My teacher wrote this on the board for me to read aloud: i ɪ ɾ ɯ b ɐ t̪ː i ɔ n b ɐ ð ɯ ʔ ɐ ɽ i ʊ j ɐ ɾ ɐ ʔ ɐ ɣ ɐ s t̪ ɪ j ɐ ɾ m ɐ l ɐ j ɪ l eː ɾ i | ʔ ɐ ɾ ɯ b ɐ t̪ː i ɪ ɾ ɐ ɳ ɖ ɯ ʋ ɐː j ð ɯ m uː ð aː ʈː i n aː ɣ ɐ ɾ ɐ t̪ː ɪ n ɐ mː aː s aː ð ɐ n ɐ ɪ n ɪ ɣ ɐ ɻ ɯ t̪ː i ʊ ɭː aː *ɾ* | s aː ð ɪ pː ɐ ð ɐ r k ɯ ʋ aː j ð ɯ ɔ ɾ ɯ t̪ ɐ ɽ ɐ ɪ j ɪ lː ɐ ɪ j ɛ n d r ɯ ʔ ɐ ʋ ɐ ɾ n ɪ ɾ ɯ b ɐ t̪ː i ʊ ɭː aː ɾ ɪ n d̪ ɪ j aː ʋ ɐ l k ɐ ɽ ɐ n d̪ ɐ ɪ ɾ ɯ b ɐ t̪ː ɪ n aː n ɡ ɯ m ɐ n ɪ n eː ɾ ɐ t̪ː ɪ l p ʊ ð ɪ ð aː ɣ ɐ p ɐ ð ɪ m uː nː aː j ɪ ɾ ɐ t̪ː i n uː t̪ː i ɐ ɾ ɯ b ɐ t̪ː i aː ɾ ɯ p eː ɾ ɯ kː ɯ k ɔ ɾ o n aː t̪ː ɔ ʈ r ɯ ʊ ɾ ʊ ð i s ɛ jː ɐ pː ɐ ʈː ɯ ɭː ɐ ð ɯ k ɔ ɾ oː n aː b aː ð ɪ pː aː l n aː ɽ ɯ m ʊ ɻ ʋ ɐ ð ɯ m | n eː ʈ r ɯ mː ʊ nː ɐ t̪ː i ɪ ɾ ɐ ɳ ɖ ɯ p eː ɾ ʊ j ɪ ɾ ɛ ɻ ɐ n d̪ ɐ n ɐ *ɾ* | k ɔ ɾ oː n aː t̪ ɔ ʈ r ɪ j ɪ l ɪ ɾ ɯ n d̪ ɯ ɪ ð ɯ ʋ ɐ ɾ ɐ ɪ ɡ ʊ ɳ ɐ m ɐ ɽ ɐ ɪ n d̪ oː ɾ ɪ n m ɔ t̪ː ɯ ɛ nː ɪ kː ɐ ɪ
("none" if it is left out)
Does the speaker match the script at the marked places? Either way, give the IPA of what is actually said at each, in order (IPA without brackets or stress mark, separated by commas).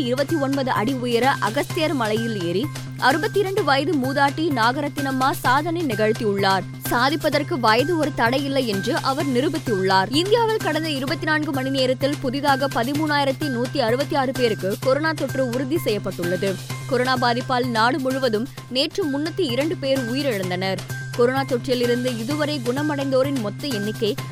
ɾ, ɾ